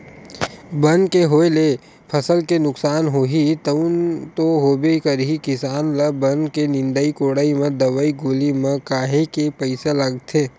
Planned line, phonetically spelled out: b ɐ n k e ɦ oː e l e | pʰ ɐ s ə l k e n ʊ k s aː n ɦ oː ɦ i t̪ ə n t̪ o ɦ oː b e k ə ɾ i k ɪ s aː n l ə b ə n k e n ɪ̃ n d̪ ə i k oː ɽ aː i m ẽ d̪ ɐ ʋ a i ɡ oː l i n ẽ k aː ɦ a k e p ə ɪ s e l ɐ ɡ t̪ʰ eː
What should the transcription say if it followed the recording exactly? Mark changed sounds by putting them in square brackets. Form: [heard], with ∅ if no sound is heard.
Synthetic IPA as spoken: b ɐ n k e ɦ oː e l e | pʰ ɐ s ə l k e n ʊ k s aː n ɦ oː ɦ i t̪ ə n t̪ o ɦ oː b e k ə ɾ i k ɪ s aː n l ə b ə n k e n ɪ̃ n d̪ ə i k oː ɽ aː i m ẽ d̪ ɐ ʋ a i ɡ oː l i [m] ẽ k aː ɦ [e] k e p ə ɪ s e l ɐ ɡ t̪ʰ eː